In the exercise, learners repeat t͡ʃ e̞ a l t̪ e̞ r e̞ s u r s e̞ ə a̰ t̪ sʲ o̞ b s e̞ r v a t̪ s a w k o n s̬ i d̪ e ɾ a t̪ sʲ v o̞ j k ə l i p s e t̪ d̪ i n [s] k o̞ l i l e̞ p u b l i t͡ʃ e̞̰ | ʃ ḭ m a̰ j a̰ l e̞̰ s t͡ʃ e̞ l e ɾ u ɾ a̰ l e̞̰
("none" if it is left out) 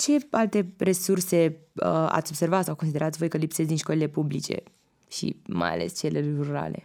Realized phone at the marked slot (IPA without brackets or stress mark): ʃ